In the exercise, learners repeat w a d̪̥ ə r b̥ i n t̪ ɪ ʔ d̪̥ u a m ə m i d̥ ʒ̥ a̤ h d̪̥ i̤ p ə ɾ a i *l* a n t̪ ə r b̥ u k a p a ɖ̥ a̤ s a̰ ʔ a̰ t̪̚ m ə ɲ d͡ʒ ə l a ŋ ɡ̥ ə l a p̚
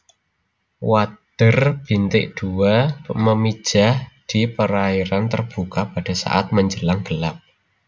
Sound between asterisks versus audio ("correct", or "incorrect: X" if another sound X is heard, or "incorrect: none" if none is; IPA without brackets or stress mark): incorrect: ɾ